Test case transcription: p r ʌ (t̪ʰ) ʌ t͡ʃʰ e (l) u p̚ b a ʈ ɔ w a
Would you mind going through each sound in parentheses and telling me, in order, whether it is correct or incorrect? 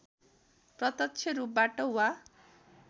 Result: incorrect, incorrect

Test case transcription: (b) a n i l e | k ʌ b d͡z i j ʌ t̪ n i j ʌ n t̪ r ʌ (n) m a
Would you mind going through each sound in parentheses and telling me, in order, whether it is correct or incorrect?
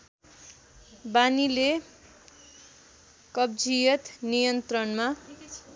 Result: correct, correct

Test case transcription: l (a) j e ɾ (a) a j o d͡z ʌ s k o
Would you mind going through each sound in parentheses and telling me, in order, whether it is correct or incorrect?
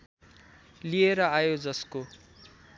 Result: incorrect, incorrect

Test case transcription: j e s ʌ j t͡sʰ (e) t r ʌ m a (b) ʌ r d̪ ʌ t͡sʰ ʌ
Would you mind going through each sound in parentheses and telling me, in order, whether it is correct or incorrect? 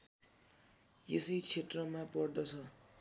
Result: correct, incorrect

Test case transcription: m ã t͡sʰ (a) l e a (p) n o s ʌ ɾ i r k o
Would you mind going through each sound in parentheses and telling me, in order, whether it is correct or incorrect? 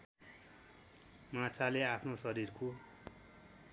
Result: correct, incorrect

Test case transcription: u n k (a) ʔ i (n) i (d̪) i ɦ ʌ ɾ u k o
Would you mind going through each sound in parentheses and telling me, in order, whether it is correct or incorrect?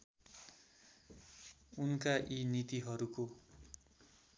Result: correct, correct, incorrect

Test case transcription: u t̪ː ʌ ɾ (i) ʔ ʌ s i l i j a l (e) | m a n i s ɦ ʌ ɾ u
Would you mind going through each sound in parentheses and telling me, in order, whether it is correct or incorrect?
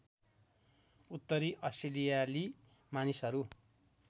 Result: correct, incorrect

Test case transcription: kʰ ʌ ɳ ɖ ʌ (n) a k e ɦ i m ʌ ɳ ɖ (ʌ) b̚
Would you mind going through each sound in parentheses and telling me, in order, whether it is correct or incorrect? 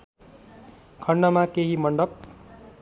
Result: incorrect, correct

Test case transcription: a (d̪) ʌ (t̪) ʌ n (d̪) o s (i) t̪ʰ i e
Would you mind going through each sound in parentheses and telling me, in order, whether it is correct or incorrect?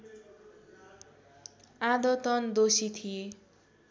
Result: correct, correct, correct, correct

